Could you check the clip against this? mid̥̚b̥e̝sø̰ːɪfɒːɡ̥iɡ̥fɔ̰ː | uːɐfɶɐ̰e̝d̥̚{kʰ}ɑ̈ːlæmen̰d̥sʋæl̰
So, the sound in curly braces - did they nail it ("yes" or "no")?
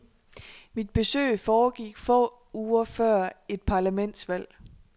no